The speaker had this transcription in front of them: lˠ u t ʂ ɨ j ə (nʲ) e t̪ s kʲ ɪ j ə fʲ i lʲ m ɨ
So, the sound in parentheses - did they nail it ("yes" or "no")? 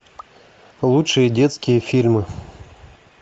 no